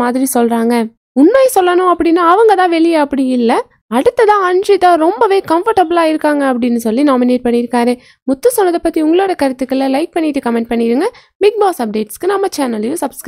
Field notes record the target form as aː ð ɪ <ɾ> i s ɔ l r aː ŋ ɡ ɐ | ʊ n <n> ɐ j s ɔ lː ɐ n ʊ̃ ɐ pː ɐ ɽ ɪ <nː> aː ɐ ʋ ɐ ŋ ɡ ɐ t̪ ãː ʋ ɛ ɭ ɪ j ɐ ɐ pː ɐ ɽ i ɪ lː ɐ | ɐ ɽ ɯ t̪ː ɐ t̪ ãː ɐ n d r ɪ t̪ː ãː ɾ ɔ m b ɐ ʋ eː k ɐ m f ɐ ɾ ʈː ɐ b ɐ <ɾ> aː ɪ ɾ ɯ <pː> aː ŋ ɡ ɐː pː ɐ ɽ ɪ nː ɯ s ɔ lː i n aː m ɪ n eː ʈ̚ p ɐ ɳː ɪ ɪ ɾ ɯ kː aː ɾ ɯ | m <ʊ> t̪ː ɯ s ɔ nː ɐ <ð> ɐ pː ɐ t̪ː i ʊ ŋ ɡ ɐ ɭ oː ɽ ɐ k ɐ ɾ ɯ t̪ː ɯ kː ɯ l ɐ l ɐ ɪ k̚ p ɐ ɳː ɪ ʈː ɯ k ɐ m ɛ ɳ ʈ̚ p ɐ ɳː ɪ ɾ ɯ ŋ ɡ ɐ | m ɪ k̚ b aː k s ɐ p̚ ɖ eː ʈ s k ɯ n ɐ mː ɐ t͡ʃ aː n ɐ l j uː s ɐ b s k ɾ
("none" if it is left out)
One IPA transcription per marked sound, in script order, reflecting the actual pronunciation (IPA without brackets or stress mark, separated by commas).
ɾ, m, nː, l, kː, ʊ, ð